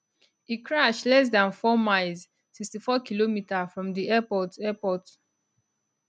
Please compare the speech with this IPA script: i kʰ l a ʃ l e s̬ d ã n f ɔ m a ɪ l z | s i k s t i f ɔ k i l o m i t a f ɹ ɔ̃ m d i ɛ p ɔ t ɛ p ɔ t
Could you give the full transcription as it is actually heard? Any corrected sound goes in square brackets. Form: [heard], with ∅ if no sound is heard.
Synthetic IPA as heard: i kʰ [ɹ] a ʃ l [ɛ] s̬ d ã n f ɔ m a ɪ l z | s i k s t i f ɔ k i l o m i t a f ɹ ɔ̃ m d i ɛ p ɔ t ɛ p ɔ t